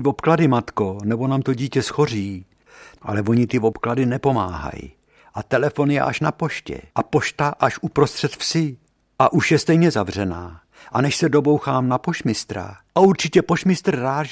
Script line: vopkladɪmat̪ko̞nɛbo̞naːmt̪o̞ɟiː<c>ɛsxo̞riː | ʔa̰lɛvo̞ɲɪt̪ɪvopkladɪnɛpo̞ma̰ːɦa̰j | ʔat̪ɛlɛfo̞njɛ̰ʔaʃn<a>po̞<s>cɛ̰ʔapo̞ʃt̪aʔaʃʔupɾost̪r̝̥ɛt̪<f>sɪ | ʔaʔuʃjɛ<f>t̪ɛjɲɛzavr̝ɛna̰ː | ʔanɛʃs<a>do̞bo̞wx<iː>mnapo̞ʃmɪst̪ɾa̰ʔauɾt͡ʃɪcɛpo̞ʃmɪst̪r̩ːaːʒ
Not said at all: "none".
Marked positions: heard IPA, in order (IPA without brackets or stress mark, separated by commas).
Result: c, a, ʃ, f, s, ɛ, aː